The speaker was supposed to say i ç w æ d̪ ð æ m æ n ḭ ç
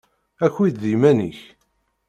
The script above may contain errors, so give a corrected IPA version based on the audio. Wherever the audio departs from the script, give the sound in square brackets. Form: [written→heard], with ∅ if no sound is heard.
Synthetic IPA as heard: [i→æ] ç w [æ→i] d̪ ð [æ→i] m æ n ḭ ç